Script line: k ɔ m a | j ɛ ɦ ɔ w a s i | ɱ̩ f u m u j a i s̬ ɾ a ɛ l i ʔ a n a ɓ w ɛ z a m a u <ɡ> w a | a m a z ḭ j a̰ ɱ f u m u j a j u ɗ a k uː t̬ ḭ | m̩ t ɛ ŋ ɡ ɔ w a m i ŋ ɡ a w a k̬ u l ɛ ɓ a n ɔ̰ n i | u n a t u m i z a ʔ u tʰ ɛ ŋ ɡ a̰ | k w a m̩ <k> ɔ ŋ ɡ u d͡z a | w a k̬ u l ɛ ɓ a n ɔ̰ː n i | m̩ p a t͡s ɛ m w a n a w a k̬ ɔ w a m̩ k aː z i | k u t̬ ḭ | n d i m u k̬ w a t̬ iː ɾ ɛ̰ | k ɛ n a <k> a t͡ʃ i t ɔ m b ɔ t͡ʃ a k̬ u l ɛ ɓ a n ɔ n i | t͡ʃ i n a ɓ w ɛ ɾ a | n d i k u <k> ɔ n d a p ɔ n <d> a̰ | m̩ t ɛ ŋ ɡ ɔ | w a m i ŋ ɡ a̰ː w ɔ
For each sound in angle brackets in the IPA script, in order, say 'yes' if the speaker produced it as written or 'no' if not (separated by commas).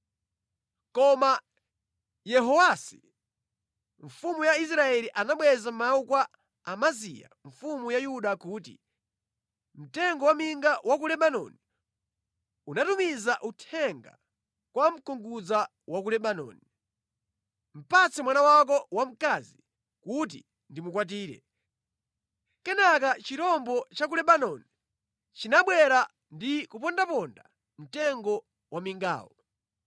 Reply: no, yes, yes, no, yes